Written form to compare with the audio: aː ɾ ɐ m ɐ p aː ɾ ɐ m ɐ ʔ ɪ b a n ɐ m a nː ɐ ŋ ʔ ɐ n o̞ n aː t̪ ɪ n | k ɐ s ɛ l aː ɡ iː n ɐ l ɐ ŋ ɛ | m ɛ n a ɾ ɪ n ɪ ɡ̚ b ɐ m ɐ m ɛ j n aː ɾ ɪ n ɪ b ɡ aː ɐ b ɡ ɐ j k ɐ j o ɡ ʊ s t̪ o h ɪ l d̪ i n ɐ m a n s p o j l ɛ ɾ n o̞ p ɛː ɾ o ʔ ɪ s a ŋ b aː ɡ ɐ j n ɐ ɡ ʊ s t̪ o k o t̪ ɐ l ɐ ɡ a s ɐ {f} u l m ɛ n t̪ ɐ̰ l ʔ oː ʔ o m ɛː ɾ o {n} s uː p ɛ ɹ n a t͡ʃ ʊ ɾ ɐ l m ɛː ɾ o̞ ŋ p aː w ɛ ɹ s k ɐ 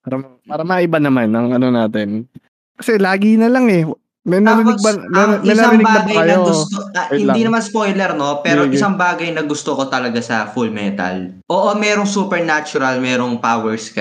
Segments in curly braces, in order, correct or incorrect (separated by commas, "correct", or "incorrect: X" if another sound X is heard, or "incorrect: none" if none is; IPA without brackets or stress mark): correct, incorrect: ŋ